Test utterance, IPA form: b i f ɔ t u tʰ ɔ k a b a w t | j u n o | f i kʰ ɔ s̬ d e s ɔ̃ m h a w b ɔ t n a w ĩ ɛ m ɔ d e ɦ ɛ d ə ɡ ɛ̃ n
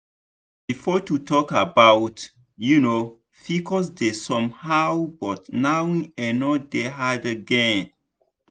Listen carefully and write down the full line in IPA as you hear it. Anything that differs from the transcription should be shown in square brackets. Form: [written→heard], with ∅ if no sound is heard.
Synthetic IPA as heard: b i f ɔ t u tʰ ɔ k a b a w t | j u n o | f i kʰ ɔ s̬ d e s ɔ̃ m h a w b ɔ t n a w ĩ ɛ [m→n] ɔ d e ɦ [ɛ→a] d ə ɡ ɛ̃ n